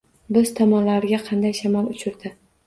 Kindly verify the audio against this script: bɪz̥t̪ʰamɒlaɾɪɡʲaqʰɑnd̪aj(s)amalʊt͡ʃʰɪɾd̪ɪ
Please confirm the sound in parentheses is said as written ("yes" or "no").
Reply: no